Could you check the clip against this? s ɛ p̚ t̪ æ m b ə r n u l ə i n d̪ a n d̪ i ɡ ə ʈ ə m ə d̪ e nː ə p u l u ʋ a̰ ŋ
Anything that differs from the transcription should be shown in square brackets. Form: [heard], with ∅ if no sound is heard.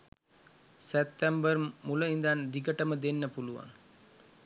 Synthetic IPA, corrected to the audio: s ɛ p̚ t̪ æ m b ə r [m] u l ə i n d̪ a n d̪ i ɡ ə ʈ ə m ə d̪ e nː ə p u l u ʋ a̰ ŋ